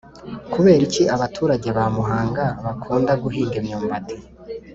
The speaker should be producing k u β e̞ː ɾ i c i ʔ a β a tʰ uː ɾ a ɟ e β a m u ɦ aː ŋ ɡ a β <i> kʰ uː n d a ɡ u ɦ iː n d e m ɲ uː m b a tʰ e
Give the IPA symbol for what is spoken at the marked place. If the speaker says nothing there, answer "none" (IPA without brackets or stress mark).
a